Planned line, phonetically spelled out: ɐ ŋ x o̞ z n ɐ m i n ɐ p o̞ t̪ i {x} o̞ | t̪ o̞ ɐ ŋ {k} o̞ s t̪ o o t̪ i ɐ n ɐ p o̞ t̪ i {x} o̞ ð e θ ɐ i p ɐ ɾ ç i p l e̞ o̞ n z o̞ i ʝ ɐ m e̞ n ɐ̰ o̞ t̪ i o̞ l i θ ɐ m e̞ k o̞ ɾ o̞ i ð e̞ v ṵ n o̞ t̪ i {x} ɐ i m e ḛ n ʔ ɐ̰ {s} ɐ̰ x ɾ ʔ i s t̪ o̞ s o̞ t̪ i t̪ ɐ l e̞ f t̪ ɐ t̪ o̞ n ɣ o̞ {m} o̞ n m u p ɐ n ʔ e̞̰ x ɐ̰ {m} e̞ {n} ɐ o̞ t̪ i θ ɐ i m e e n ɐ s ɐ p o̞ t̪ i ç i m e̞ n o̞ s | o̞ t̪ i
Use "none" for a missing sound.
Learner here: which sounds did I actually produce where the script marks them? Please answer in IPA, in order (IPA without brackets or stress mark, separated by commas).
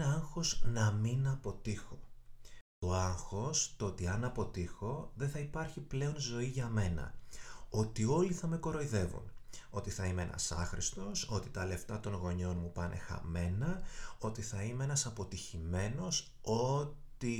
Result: x, x, x, θ, s, ɲ, m, n